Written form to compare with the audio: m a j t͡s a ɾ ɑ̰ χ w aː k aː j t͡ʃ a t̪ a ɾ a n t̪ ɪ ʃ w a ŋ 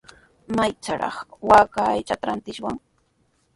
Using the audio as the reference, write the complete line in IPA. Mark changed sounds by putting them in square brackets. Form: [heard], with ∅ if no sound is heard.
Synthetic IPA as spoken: m a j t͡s a ɾ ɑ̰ χ w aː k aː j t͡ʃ a t̪ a ɾ a n t̪ ɪ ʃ w a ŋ